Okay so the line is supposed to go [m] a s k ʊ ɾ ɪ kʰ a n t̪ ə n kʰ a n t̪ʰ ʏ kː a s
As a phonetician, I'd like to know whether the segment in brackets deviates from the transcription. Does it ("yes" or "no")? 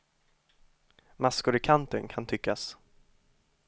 no